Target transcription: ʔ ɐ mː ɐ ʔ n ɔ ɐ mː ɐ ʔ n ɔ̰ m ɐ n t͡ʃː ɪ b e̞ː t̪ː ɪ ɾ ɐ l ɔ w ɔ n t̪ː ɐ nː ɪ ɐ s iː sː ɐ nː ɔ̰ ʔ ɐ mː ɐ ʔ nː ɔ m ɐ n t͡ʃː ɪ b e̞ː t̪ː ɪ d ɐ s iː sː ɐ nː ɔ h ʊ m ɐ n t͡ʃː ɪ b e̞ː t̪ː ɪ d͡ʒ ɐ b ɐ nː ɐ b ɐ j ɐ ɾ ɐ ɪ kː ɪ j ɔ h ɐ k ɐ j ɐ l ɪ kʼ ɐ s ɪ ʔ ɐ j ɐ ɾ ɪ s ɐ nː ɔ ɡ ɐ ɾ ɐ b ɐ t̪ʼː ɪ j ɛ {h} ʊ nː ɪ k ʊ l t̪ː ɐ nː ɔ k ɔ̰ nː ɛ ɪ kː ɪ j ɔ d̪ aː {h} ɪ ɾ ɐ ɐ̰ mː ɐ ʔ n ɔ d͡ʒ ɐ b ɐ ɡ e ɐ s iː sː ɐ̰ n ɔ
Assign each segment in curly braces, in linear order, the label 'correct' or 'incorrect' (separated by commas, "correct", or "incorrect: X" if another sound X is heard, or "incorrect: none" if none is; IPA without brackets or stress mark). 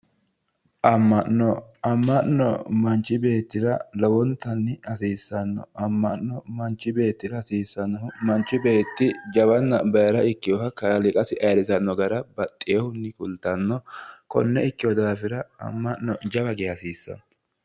correct, incorrect: f